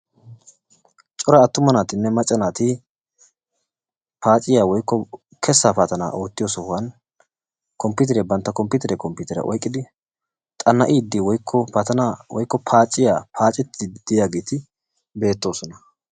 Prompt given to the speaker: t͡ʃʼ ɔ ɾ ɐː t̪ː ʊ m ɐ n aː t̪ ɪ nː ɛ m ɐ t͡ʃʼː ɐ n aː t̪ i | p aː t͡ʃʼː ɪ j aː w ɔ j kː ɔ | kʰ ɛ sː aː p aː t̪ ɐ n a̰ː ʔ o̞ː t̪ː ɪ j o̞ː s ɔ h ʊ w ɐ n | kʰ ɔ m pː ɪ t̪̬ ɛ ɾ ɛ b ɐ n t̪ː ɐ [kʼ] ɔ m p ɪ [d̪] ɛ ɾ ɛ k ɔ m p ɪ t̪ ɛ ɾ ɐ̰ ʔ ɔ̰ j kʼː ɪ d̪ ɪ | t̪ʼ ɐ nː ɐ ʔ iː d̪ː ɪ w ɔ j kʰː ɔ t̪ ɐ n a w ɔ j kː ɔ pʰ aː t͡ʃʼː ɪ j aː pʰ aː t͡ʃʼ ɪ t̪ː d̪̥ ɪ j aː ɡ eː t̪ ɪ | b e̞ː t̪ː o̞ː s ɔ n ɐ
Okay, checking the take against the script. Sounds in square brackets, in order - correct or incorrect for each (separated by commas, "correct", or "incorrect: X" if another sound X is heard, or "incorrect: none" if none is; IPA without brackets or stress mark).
incorrect: k, incorrect: t̪